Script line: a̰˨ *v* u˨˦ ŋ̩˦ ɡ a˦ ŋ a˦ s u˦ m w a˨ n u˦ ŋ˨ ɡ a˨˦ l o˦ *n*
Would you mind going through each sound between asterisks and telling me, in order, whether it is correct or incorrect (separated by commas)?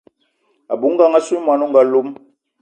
incorrect, incorrect